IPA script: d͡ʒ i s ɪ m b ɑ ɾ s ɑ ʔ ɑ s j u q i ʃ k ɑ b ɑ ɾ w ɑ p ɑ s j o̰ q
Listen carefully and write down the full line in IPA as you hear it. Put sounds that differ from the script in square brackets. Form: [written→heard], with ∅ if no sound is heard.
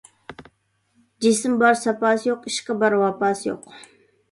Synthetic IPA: d͡ʒ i s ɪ m b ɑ ɾ s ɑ [ʔ→p] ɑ s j [u→o] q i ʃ k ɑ b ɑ ɾ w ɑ p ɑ s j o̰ q